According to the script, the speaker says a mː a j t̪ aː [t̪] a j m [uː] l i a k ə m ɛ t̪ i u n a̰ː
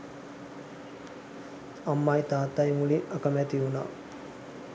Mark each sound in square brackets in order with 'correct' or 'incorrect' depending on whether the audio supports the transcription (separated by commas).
correct, incorrect